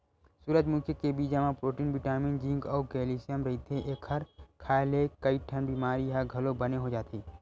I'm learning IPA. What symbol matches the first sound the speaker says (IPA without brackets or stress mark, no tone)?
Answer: s